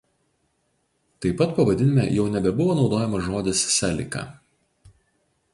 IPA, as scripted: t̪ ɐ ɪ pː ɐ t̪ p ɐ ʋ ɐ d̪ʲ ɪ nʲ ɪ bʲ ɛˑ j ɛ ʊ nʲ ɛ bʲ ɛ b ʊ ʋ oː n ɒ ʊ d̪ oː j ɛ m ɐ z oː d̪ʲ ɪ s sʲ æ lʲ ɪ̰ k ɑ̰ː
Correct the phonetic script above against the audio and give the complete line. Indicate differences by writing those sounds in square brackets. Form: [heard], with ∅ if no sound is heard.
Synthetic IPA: t̪ ɐ ɪ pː ɐ t̪ p ɐ ʋ ɐ d̪ʲ ɪ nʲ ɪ [mʲ] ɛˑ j ɛ ʊ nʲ ɛ bʲ ɛ b ʊ ʋ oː n ɒ ʊ d̪ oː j ɛ m ɐ [ʒ] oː d̪ʲ ɪ s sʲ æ lʲ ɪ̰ k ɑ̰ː